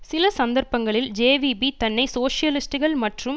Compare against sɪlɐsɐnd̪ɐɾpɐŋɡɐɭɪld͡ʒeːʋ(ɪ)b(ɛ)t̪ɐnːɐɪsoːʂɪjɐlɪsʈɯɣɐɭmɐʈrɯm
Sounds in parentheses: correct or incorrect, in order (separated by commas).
incorrect, incorrect